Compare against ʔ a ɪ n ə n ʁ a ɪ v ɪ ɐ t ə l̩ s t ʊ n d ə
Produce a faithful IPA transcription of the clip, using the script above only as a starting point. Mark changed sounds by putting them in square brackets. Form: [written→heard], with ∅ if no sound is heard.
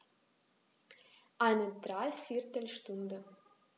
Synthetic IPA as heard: ʔ a ɪ n ə [n→d] ʁ a ɪ [v→f] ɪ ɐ t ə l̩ [s→ʃ] t ʊ n d ə